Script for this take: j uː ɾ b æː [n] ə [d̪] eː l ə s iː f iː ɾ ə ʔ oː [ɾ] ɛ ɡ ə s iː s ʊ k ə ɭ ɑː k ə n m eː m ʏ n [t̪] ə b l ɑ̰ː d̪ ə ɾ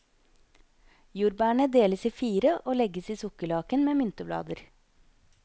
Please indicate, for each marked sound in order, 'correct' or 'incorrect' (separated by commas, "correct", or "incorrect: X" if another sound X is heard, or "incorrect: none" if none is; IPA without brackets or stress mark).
incorrect: ɳ, correct, incorrect: l, correct